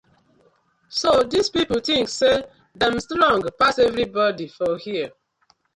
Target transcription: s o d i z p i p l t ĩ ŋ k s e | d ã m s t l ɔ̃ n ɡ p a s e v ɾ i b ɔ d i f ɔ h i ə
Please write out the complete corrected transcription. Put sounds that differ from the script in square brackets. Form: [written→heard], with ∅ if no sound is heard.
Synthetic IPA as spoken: s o d i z p i p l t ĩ ŋ k s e | d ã m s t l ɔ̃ [n→ŋ] ɡ p a s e v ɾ i b ɔ d i f ɔ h i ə